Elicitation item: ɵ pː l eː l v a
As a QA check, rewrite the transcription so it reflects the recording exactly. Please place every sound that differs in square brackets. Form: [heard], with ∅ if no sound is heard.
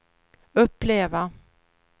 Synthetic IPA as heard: ɵ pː l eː [∅] v a